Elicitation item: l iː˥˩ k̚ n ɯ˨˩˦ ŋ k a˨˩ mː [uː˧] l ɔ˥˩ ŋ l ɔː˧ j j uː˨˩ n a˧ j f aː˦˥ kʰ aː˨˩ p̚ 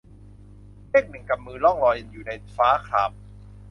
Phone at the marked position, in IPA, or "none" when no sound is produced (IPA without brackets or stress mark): ɯː˧